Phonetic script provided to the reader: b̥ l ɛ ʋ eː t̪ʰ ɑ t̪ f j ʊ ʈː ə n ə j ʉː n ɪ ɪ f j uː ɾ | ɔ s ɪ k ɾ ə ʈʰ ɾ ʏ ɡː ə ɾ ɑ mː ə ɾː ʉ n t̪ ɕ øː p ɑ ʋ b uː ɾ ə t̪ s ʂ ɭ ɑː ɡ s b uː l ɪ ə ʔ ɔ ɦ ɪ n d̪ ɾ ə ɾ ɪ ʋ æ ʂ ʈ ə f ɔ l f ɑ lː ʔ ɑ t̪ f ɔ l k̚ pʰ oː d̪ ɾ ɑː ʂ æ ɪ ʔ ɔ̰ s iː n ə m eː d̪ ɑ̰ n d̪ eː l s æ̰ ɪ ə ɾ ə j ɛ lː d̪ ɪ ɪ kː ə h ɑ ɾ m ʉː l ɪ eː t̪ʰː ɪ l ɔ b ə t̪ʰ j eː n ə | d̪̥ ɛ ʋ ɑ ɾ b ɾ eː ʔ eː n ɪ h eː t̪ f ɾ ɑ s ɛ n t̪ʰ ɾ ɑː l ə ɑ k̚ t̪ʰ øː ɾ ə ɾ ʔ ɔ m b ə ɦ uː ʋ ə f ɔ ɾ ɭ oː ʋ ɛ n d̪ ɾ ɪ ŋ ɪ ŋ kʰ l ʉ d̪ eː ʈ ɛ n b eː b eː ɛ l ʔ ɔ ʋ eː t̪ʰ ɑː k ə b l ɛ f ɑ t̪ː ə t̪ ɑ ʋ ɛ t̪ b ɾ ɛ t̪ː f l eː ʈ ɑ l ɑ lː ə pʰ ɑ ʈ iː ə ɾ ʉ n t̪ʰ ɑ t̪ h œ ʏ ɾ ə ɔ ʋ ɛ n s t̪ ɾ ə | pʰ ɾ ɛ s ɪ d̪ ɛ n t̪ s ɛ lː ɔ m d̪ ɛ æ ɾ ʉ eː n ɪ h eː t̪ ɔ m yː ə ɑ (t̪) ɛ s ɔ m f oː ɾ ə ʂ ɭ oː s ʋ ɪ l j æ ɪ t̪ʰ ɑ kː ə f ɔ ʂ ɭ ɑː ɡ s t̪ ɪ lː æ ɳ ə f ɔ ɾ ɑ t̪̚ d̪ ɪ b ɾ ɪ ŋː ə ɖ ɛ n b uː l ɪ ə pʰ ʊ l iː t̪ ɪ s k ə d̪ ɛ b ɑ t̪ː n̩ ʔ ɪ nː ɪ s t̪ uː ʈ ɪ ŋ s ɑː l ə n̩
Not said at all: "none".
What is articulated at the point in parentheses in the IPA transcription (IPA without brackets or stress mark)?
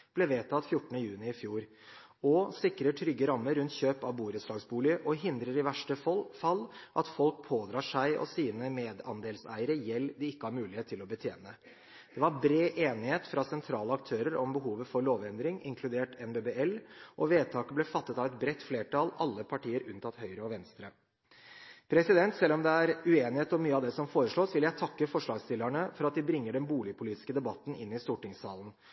d̪